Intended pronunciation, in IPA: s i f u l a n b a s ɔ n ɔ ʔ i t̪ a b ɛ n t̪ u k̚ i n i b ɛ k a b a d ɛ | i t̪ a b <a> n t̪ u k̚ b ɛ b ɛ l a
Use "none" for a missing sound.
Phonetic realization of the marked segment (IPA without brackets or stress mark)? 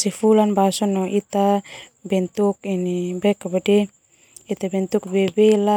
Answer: ɛ